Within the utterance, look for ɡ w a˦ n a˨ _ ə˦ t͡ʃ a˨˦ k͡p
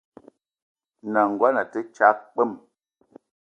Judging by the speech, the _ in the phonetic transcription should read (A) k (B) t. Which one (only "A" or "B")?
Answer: B